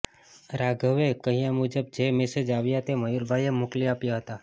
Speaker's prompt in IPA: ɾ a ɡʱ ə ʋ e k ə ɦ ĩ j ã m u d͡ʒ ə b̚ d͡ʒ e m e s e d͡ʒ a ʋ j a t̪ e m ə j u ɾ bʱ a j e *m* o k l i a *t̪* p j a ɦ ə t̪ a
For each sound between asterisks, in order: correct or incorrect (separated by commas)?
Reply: correct, incorrect